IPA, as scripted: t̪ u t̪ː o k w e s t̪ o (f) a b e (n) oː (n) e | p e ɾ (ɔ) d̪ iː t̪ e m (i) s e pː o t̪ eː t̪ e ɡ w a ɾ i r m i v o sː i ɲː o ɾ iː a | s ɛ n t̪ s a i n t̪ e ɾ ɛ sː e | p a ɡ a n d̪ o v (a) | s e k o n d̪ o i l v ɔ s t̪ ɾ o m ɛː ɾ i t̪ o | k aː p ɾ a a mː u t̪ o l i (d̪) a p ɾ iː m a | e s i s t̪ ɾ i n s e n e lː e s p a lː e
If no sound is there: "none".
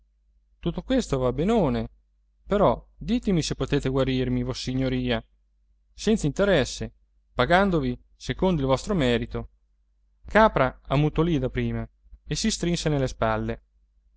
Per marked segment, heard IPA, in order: v, n, n, ɔ, i, i, d̪

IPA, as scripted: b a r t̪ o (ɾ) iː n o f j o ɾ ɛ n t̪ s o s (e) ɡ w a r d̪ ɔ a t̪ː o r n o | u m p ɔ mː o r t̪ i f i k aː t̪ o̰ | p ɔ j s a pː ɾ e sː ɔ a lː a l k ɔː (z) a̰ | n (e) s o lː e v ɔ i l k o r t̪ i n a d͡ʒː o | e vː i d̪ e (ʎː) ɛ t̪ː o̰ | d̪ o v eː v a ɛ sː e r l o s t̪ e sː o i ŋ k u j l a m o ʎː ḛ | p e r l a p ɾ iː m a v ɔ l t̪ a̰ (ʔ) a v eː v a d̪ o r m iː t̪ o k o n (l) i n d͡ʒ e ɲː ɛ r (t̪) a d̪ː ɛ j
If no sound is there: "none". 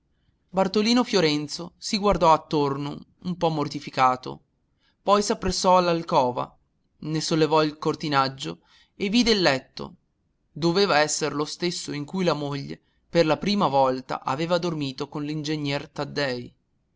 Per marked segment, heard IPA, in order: l, i, v, e, lː, ʔ, l, t̪

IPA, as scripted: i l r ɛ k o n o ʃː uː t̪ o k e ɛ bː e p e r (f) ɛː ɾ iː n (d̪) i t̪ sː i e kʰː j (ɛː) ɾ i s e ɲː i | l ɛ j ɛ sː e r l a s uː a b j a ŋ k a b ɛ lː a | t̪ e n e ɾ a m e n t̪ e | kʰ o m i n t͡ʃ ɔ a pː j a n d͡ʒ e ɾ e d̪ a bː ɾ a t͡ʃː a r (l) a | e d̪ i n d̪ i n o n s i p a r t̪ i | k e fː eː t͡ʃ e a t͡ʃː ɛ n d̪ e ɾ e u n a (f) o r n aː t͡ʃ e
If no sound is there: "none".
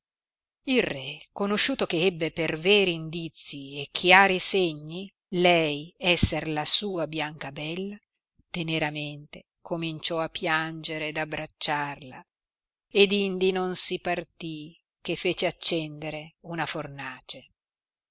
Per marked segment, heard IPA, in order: v, d̪, aː, l, f

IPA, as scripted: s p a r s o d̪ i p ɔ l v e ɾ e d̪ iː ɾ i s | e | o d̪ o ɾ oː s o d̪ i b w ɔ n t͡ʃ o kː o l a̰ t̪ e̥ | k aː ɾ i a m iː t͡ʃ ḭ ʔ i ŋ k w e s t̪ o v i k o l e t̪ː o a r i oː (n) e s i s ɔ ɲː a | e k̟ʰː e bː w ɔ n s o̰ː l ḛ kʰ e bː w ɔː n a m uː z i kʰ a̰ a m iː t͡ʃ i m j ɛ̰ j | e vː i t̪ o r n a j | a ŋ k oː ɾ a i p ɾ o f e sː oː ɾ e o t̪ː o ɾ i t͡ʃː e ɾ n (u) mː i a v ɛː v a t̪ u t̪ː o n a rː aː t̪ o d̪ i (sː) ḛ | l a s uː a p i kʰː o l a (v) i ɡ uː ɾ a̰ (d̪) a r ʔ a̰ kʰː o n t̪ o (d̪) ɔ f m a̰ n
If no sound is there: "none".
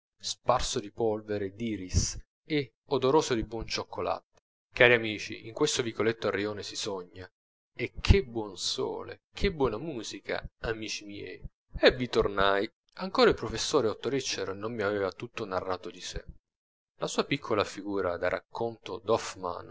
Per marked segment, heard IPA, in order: n, o, s, f, d̪, d̪

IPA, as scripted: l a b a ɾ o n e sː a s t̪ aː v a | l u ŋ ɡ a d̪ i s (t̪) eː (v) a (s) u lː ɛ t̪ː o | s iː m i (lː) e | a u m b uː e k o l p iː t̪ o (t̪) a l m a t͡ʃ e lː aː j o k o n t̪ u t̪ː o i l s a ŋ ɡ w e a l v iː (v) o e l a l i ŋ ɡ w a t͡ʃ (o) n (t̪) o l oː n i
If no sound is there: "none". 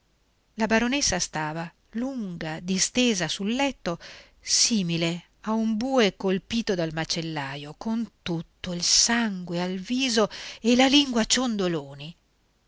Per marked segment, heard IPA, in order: t̪, z, s, l, d̪, z, o, d̪

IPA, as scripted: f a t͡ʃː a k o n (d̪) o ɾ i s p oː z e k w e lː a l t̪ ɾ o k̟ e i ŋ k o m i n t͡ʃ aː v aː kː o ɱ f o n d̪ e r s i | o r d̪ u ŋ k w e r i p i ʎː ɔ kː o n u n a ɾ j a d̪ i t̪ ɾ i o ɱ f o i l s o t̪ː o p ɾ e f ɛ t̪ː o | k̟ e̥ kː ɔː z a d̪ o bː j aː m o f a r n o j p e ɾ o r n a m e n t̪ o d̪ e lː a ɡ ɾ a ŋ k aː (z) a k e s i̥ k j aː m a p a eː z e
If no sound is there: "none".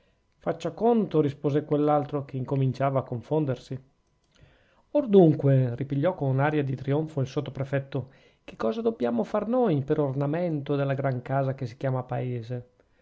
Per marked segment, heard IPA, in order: t̪, z

